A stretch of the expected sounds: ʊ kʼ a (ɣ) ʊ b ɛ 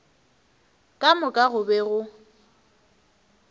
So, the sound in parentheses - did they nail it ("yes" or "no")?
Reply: yes